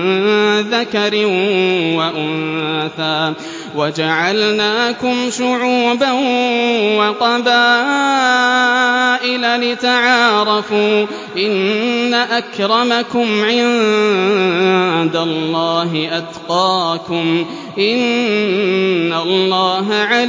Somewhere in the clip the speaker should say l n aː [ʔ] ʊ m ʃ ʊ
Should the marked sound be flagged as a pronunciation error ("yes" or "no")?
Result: yes